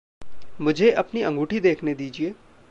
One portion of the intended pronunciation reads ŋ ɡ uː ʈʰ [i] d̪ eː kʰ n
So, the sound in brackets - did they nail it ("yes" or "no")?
yes